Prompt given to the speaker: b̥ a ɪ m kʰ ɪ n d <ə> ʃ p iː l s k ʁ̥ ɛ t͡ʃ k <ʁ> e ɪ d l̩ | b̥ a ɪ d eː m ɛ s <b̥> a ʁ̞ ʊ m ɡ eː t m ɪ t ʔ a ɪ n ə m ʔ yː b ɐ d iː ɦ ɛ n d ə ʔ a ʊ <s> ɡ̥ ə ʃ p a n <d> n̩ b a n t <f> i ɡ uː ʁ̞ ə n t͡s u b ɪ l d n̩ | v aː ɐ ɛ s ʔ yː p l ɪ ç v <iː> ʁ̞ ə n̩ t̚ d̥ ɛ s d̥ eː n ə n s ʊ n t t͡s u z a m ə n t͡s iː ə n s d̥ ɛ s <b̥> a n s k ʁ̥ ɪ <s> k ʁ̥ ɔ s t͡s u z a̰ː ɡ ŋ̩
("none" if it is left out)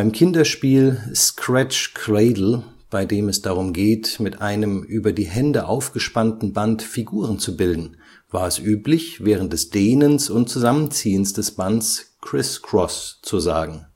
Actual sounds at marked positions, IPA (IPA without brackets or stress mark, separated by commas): ɐ, ʁ, d̥, f, t, f, ɛː, b̥, s